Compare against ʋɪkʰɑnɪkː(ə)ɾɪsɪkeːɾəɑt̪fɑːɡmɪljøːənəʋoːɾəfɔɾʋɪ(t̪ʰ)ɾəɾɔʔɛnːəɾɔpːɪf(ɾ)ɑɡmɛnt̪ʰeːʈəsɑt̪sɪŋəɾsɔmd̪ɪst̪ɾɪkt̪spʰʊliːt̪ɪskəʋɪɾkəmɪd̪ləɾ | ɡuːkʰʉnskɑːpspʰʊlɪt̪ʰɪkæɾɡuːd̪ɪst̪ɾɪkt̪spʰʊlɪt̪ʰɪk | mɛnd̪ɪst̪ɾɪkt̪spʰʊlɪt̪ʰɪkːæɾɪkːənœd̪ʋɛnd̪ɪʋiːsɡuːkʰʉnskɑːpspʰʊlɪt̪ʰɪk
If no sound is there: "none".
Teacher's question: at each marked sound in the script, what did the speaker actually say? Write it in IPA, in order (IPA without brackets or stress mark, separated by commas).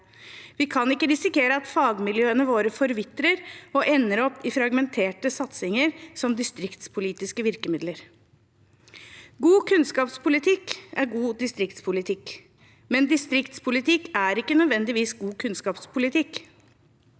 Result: ə, t̪, ɾ